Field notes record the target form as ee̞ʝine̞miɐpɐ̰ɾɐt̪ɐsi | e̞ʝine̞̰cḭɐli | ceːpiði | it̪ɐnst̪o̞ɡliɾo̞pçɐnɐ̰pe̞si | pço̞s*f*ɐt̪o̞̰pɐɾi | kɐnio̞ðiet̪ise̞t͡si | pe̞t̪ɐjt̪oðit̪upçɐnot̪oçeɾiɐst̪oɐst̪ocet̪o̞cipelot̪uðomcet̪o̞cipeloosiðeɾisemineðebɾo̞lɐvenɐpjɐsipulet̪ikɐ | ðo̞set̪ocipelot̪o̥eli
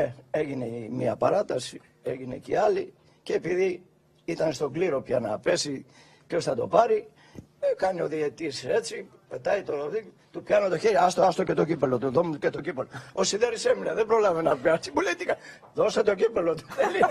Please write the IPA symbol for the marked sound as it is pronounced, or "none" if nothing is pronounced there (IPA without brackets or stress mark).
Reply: θ